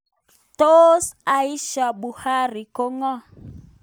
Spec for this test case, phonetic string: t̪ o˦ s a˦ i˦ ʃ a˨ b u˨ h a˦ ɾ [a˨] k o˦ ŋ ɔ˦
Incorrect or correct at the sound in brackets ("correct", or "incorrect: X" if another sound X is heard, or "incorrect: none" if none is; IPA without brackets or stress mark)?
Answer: incorrect: i˨